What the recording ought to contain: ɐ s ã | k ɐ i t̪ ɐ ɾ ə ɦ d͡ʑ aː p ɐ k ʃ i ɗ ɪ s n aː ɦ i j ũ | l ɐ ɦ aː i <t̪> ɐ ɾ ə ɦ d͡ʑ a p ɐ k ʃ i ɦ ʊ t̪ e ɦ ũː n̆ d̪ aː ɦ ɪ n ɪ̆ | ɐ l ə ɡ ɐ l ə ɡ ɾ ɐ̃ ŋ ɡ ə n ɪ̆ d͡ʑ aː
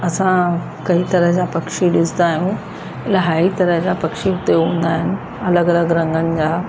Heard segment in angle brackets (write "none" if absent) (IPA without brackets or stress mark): t̪